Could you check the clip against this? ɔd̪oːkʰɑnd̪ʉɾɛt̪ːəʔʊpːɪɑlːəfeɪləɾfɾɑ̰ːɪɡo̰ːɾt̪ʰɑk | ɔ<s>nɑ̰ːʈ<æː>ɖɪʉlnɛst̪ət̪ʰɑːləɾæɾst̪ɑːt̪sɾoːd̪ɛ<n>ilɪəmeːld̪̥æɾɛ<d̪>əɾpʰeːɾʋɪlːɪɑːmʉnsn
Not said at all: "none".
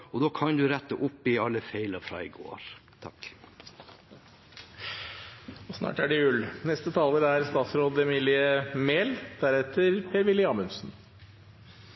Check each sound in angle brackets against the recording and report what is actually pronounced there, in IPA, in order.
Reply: s, æ, m, t̪

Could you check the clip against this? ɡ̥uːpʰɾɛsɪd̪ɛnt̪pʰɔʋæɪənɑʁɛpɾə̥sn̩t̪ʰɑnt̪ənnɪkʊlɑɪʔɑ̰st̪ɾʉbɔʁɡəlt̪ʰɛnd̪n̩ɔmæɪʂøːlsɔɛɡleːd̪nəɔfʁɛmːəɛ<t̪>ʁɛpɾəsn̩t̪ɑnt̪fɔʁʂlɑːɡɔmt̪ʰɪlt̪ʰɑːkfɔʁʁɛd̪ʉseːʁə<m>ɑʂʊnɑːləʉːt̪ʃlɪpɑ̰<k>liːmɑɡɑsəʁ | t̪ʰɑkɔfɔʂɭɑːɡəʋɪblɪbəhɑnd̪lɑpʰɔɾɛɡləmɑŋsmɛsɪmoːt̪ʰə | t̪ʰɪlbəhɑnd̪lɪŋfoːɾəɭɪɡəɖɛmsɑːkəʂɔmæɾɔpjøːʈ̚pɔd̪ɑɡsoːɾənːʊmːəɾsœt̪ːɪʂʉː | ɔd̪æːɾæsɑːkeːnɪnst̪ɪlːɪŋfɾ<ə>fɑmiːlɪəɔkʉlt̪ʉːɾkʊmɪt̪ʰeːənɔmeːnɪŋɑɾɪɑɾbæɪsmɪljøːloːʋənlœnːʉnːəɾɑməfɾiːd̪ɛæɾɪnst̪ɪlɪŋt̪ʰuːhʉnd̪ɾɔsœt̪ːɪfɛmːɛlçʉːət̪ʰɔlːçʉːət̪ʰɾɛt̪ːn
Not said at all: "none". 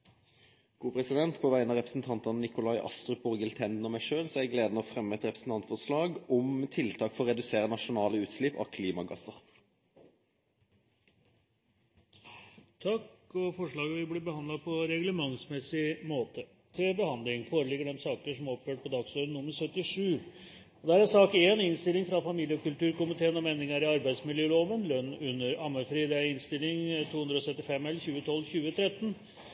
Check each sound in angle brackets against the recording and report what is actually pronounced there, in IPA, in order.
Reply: t̪, n, kʰ, ɑ

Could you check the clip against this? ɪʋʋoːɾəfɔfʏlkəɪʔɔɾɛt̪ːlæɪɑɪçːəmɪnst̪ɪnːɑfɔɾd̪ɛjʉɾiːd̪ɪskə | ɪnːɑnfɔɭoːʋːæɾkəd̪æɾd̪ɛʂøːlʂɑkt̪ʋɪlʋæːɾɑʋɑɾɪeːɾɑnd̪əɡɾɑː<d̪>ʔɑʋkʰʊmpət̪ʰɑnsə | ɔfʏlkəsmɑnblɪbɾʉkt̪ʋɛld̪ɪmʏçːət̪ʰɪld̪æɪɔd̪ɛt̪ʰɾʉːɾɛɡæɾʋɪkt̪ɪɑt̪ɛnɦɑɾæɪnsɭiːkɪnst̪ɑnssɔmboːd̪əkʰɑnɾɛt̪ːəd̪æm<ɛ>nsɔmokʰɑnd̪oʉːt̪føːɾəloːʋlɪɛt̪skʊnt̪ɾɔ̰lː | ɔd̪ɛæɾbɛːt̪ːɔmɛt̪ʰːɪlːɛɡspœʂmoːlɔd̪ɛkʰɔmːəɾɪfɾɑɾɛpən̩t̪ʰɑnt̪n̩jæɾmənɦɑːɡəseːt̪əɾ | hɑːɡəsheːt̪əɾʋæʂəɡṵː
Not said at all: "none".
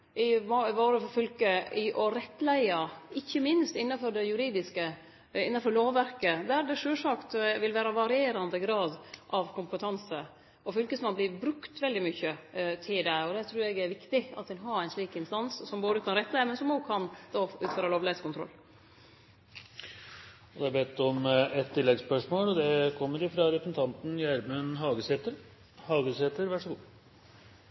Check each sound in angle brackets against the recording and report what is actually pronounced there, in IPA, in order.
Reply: d̪, ɛ

